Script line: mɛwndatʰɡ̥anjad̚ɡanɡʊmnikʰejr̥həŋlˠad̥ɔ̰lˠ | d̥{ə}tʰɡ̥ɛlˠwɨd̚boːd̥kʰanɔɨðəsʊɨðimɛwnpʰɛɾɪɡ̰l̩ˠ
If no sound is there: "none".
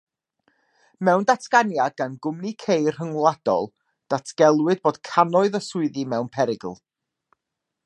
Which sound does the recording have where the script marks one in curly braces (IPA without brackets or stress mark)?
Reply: a